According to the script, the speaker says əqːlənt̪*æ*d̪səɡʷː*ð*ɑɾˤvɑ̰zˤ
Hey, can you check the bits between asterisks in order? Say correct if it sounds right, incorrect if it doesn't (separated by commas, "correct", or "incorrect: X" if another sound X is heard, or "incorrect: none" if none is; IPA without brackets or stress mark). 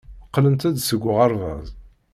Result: correct, incorrect: ʁ